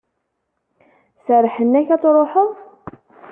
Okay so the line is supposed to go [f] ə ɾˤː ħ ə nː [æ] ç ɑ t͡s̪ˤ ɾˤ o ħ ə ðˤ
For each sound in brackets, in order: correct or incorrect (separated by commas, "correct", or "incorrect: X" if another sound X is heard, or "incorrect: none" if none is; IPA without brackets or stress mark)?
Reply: incorrect: s, correct